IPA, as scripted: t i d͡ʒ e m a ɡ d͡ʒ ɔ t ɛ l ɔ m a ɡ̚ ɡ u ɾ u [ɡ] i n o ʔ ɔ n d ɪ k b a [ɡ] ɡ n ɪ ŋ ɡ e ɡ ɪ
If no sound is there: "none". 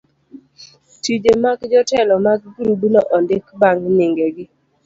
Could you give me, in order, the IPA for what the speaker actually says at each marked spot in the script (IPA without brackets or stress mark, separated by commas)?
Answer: b, ŋ